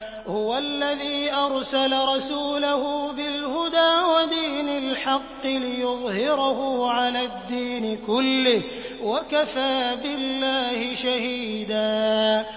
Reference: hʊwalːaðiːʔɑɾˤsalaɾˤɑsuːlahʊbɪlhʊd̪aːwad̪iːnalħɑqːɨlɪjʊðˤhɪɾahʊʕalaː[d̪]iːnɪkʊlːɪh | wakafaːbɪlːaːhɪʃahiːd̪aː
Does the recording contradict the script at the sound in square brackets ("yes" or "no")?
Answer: yes